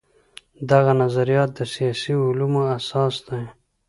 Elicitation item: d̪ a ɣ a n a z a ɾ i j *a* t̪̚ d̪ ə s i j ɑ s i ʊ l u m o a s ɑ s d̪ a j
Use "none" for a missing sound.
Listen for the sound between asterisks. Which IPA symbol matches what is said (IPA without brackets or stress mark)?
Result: ɑ